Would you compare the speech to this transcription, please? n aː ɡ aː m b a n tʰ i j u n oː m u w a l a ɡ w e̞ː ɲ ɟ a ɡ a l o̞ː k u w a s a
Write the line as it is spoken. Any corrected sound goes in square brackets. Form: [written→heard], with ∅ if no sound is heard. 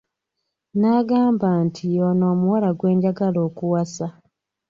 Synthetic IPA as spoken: n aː ɡ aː m b a n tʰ i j [u→o] n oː m u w a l a ɡ w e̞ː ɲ ɟ a ɡ a l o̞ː k u w a s a